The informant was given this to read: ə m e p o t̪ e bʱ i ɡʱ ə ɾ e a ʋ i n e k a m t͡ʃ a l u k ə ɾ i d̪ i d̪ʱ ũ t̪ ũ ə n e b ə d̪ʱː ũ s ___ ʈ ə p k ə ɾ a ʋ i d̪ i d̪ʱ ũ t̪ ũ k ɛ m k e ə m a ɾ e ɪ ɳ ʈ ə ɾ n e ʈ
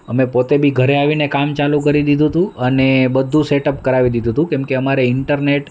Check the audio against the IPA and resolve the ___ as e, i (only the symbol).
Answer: e